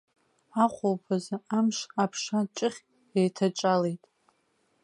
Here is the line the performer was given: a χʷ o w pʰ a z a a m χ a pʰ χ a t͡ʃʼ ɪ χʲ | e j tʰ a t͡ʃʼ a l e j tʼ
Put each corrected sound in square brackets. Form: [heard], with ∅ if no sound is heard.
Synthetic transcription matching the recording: a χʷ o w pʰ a z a a m [ʂ] a pʰ [ʂ] a t͡ʃʼ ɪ χʲ | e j tʰ a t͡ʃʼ a l e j tʼ